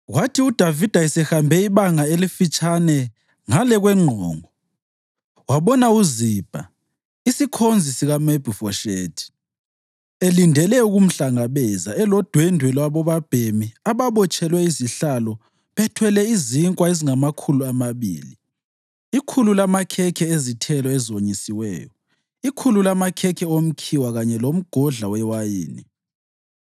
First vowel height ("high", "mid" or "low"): low